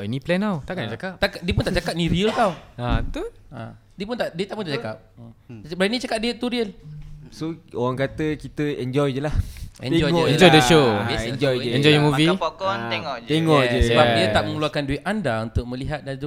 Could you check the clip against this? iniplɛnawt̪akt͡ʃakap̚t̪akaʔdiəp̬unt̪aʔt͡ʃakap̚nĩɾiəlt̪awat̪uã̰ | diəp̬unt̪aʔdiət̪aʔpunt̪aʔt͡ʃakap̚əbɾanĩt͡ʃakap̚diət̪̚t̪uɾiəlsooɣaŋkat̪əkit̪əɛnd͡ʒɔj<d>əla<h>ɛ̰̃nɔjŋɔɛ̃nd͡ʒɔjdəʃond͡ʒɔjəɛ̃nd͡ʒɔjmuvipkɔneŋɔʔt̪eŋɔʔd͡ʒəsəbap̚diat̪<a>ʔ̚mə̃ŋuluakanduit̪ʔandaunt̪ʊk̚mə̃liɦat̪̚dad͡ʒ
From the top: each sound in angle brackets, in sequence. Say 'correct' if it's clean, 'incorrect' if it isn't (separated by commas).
incorrect, correct, correct